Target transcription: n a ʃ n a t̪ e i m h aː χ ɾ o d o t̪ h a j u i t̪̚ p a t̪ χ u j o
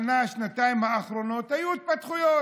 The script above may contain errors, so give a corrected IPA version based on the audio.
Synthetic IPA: n a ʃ n a t̪ a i m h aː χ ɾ o n o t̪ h a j u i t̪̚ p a t̪ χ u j o